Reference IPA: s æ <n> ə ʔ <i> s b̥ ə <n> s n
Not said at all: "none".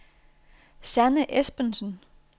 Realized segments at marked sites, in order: n, e, n

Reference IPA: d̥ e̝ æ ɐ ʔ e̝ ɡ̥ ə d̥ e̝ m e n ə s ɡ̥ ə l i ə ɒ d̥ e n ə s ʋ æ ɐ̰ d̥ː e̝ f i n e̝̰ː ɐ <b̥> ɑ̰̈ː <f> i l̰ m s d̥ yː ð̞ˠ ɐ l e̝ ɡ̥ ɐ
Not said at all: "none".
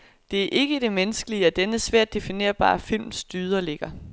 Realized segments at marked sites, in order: b̥, f

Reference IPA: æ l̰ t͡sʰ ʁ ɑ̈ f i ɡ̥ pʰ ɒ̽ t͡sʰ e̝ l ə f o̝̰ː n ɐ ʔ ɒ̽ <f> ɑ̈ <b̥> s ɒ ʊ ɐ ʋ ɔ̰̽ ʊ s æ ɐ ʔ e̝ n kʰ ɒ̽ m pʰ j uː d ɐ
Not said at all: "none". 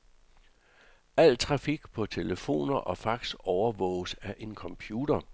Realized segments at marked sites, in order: f, ɡ̥

